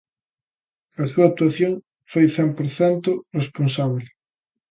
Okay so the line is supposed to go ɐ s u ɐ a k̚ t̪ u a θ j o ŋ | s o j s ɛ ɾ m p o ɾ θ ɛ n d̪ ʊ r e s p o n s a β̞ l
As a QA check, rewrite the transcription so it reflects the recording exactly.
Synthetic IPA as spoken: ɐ s u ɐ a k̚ t̪ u a θ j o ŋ | f o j θ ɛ m p o ɾ θ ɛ n t̪ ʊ r e s p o n s a β̞ l